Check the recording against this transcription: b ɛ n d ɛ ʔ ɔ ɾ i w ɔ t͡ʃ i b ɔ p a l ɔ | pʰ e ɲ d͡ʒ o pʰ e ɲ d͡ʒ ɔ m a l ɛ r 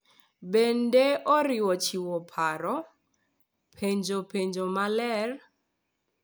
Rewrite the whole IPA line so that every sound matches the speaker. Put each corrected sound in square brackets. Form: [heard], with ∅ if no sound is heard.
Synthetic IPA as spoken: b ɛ n d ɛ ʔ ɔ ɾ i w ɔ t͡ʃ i [w] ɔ [pʰ] a [ɾ] ɔ | pʰ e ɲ d͡ʒ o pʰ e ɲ d͡ʒ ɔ m a l ɛ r